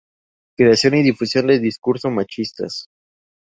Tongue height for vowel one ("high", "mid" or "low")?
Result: mid